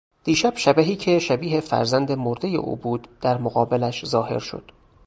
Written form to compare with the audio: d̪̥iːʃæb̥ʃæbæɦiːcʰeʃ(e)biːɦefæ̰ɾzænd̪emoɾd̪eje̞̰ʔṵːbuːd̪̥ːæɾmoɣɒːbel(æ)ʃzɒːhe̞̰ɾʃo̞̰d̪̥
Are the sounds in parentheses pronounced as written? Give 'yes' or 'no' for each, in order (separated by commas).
no, yes